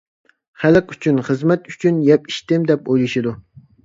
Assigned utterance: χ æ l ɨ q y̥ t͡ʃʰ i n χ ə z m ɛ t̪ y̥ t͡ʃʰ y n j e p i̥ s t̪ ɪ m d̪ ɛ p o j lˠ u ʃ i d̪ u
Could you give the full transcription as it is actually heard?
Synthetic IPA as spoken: χ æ l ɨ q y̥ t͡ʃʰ y n χ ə z m ɛ t̪ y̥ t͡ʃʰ y n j ɛ p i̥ ʃ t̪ ɪ m d̪ ɛ p o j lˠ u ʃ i d̪ u